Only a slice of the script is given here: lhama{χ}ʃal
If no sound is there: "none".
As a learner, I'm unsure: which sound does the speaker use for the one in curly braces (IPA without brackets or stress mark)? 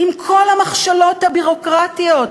χ